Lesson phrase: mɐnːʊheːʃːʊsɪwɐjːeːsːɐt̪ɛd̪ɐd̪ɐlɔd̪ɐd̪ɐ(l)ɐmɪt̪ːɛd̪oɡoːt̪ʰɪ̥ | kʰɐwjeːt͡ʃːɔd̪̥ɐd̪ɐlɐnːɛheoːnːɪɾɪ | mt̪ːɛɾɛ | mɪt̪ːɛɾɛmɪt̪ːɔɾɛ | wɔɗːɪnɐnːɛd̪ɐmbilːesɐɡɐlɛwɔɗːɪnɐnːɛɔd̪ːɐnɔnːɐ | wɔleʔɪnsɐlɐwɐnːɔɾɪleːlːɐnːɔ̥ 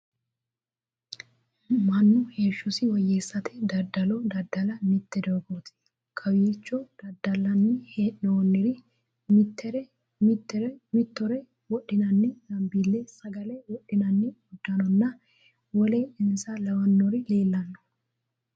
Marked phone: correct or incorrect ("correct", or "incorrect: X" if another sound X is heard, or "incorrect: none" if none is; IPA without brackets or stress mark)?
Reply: correct